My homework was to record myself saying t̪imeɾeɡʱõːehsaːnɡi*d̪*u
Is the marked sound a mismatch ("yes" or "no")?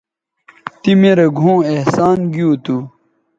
yes